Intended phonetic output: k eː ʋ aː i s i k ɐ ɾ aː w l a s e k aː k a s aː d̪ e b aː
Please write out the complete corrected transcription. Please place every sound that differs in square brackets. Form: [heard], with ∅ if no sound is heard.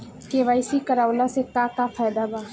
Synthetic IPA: k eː ʋ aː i s i k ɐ ɾ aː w l a s e k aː k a [f] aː d̪ [a] b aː